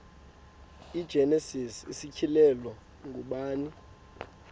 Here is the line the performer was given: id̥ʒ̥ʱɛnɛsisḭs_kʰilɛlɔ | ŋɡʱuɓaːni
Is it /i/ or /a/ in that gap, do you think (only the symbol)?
i